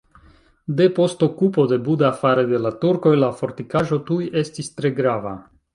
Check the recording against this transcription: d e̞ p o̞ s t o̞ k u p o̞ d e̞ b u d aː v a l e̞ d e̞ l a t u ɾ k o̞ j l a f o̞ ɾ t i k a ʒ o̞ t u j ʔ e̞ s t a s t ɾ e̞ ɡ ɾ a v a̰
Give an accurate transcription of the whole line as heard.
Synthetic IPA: d e̞ p o̞ s t o̞ k u p o̞ d e̞ b u d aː f a ɾ e̞ d e̞ l a t u ɾ k o̞ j l a f o̞ ɾ t i k a ʒ o̞ t u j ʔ e̞ s t i s t ɾ e̞ ɡ ɾ a v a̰